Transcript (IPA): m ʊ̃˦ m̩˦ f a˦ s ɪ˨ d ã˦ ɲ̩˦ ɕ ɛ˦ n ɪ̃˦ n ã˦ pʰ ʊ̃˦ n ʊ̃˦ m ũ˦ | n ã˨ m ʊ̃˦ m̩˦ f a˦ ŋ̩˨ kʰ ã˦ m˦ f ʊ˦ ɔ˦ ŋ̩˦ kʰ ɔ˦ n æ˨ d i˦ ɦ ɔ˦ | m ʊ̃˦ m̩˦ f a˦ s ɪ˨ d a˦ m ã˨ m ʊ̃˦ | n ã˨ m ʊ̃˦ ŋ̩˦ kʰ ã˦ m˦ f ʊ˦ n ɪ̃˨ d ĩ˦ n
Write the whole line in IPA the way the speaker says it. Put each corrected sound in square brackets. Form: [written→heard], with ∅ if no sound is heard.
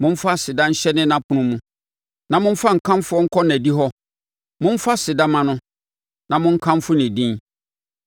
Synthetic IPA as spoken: m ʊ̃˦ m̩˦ f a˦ s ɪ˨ d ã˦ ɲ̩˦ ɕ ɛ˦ n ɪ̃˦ n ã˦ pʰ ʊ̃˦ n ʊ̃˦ m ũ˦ | n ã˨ m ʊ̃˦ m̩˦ f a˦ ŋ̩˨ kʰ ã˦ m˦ f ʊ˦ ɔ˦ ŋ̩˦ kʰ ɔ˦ n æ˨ d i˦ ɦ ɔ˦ | m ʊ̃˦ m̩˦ f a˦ s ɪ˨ d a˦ m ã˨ [m→n] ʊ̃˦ | n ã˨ m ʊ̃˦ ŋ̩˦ kʰ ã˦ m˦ f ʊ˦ n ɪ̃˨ d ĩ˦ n

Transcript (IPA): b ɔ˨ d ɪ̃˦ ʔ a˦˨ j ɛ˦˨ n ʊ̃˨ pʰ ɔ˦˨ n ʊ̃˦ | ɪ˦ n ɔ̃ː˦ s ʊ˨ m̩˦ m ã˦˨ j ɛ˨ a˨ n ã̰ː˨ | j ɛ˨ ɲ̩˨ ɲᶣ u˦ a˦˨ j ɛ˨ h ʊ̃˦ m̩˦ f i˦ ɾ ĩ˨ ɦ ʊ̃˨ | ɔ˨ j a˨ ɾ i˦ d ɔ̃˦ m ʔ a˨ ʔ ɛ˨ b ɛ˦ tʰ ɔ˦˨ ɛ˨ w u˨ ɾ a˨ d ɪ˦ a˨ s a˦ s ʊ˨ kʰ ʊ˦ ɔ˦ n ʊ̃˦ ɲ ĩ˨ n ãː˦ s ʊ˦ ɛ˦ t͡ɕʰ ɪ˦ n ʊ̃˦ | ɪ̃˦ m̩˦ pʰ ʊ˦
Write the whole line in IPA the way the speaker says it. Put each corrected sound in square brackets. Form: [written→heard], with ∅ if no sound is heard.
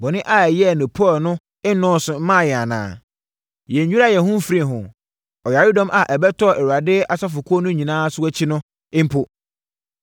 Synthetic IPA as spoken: b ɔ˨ [d→n] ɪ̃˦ ʔ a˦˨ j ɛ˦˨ n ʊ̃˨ pʰ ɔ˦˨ n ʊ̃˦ | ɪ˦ n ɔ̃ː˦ s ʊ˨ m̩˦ m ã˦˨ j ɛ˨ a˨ n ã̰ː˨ | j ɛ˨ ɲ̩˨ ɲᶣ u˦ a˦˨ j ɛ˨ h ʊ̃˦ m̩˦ f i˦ ɾ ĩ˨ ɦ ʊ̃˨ | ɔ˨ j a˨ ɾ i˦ d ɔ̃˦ m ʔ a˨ ʔ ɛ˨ b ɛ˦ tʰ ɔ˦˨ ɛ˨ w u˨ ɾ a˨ d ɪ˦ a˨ s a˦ [s→f] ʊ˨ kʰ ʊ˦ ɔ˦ n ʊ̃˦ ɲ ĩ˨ n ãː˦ s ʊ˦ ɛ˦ t͡ɕʰ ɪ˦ n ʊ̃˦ | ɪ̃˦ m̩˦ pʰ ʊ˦

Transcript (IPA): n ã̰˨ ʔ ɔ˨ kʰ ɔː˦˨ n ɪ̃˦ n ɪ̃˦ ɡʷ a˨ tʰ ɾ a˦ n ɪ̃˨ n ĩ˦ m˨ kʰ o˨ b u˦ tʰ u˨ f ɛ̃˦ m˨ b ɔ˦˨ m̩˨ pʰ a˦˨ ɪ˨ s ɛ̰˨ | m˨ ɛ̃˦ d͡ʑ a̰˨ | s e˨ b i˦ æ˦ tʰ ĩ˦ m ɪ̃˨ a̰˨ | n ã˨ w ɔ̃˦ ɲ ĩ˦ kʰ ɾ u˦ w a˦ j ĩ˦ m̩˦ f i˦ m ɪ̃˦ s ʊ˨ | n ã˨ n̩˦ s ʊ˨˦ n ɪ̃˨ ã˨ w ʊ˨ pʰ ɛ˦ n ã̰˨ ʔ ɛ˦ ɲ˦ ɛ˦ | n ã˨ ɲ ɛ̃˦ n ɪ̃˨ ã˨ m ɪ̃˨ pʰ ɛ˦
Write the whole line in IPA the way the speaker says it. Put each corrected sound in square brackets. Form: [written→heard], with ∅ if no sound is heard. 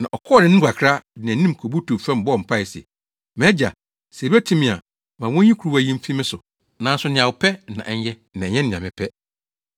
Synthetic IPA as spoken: n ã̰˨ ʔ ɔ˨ kʰ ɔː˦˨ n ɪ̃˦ n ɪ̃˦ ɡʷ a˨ [tʰ→kʰ] ɾ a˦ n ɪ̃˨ n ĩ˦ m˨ kʰ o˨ b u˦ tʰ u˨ f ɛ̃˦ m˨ b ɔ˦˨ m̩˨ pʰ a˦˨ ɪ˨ s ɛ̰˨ | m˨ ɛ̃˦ d͡ʑ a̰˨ | s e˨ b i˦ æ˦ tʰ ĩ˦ m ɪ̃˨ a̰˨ | [n→m] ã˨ w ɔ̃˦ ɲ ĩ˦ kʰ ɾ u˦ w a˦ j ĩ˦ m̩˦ f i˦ m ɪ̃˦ s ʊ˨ | n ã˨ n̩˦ s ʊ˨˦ n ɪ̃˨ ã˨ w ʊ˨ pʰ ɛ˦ n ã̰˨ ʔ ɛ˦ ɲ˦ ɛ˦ | n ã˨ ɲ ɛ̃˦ n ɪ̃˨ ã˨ m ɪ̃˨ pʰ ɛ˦

